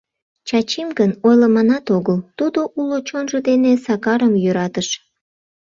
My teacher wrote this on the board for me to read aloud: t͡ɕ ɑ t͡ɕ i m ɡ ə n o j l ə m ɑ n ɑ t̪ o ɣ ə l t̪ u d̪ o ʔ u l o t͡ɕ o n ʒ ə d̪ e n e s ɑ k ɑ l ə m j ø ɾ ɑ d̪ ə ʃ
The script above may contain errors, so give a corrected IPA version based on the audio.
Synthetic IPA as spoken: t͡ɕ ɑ t͡ɕ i m ɡ ə n o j l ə m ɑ n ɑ t̪ o ɣ ə l t̪ u d̪ o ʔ u l o t͡ɕ o n ʒ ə d̪ e n e s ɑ k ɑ ɾ ə m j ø ɾ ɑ t̪ ə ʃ